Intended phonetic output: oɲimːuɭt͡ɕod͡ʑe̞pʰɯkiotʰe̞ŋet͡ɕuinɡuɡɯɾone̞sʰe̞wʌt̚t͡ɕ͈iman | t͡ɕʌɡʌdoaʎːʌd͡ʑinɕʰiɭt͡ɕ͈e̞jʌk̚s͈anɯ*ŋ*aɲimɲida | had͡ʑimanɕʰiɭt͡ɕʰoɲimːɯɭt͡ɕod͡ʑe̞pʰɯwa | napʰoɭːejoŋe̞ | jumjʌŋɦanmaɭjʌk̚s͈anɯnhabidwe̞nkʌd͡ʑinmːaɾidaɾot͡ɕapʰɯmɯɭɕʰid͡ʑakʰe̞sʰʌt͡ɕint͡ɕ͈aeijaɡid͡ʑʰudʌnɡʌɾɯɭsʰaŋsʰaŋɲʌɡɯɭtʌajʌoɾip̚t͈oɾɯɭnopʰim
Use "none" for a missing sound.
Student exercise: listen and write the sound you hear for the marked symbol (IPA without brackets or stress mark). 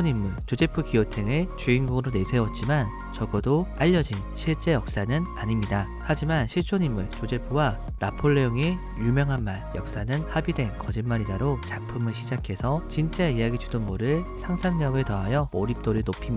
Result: n